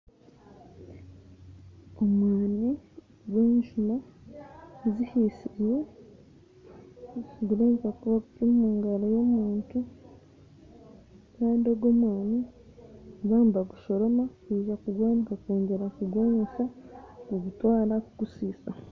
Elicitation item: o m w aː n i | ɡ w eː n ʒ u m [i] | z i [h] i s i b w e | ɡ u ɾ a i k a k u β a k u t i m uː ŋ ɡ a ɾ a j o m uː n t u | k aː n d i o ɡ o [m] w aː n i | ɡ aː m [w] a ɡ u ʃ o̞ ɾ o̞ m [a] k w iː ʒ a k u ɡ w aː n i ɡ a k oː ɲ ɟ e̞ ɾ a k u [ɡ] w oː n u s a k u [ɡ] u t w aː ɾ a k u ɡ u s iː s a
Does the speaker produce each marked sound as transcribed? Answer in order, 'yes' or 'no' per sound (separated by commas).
no, yes, yes, no, yes, yes, yes